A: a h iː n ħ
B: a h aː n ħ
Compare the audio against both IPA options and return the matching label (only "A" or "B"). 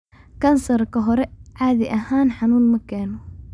B